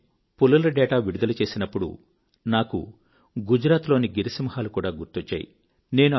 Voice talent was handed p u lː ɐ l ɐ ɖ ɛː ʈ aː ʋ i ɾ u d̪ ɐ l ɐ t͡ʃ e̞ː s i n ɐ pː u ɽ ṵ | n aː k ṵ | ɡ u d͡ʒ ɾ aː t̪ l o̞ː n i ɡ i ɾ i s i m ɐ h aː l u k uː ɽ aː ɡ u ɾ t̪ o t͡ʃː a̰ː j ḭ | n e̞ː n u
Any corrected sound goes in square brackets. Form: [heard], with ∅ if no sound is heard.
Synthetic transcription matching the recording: p u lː ɐ l ɐ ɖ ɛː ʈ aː ʋ i [ɽ] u d̪ ɐ l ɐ t͡ʃ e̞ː s i n ɐ pː u ɽ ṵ | n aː k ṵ | ɡ u d͡ʒ ɾ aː t̪ l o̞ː n i ɡ i ɾ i s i m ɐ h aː l u k uː ɽ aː ɡ u ɾ t̪ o t͡ʃː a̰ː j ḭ | n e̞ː n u

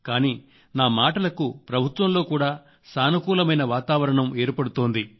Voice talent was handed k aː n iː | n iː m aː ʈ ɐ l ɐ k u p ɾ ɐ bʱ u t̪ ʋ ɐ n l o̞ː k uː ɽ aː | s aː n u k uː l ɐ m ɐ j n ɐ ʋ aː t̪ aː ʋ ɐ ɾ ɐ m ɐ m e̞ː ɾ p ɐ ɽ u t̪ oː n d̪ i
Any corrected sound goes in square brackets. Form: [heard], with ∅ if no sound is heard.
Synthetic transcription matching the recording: k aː n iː | n [aː] m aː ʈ ɐ l ɐ k u p ɾ ɐ bʱ u t̪ ʋ ɐ [m] l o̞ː k uː ɽ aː | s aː n u k uː l ɐ m ɐ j n ɐ ʋ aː t̪ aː ʋ ɐ ɾ ɐ [ɳ] ɐ m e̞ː ɾ p ɐ ɽ u t̪ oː n d̪ i

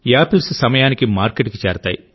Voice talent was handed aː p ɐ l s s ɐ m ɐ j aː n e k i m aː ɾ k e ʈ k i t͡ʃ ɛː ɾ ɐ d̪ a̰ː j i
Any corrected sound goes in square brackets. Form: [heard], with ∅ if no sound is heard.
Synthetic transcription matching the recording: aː p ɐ l s s ɐ m ɐ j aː n [i] k i m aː ɾ k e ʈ k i t͡ʃ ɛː ɾ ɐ [t̪] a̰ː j i

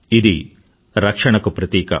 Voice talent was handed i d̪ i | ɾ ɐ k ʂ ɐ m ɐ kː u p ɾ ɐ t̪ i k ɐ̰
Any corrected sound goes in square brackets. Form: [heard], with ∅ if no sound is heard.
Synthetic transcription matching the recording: i d̪ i | ɾ ɐ k ʂ ɐ [ɳ] ɐ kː u p ɾ ɐ t̪ [iː] k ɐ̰

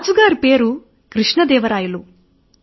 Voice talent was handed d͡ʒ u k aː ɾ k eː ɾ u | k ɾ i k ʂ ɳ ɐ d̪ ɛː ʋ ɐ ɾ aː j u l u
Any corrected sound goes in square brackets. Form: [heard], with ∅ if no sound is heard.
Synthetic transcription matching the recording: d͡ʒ u [ɡ] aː ɾ [p] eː ɾ u | k ɾ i [∅] ʂ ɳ ɐ d̪ ɛː ʋ ɐ ɾ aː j u l u

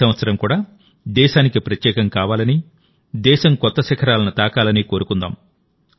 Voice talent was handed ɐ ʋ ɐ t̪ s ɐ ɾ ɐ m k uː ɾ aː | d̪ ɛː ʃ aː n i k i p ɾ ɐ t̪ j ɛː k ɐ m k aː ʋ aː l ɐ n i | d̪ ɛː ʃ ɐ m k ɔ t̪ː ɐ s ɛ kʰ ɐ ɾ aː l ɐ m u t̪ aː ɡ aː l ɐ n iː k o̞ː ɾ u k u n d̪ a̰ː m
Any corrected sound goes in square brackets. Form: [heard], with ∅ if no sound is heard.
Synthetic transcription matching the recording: ɐ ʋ ɐ t̪ s ɐ ɾ ɐ m k uː [ɽ] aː | d̪ ɛː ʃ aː n i k i p ɾ ɐ t̪ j ɛː k ɐ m k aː ʋ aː l ɐ n i | d̪ ɛː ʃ ɐ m k ɔ t̪ː ɐ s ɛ kʰ ɐ ɾ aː l ɐ [n] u t̪ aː [k] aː l ɐ n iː k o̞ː ɾ u k u n d̪ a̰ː m

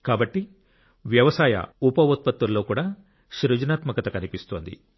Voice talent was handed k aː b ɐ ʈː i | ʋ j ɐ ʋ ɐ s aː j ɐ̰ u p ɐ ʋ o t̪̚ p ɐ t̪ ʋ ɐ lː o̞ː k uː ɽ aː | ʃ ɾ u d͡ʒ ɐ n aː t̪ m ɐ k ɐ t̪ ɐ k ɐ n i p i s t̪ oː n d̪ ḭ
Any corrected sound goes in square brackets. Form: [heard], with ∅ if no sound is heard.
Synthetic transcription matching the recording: k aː b ɐ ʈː i | ʋ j ɐ ʋ ɐ s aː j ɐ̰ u p ɐ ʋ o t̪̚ p ɐ t̪ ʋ ɐ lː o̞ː k uː ɽ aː | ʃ ɾ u d͡ʒ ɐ n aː t̪ m ɐ k ɐ t̪ ɐ k ɐ n i p i s t̪ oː n d̪ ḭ

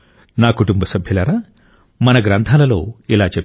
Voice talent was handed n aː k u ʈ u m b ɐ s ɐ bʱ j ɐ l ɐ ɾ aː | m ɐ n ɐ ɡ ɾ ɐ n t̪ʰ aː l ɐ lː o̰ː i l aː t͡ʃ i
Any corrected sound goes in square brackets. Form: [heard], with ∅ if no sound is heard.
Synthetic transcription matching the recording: n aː k u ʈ u m b ɐ s ɐ bʱ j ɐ l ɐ ɾ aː | m ɐ n ɐ ɡ ɾ ɐ n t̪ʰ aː l ɐ [l] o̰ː i l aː t͡ʃ [e]

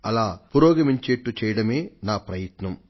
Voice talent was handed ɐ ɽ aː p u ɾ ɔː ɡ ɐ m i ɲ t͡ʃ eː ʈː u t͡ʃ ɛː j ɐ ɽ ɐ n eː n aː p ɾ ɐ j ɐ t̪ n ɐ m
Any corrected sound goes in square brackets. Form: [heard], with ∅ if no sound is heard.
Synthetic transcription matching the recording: ɐ [l] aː p u ɾ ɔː ɡ ɐ m i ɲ t͡ʃ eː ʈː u t͡ʃ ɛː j ɐ ɽ ɐ [m] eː n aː p ɾ ɐ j ɐ t̪ n ɐ m

